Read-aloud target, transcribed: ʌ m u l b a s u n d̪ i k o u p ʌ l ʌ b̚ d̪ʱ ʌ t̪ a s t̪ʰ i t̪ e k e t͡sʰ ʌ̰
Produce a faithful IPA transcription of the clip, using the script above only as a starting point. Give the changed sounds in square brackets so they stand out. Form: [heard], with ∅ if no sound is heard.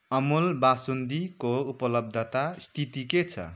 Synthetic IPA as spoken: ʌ m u l b a s u n d̪ i k o u p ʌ l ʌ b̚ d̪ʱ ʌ t̪ a s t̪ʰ i t̪ [i] k e t͡sʰ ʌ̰